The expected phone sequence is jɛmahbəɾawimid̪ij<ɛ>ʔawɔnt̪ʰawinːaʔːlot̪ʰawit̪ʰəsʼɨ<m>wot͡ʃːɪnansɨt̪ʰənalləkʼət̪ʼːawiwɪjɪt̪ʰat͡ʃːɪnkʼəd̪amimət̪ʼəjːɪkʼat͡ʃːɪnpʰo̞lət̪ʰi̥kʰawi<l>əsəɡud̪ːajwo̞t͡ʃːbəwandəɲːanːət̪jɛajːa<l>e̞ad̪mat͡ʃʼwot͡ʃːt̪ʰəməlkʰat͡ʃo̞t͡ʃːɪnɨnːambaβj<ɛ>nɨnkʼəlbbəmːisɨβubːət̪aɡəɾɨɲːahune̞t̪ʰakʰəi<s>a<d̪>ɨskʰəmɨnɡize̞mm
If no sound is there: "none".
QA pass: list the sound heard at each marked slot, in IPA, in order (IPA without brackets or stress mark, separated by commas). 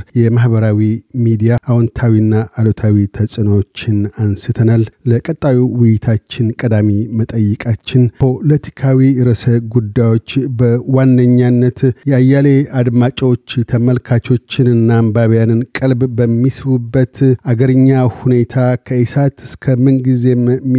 a, n, ɾ, l, a, s, t̪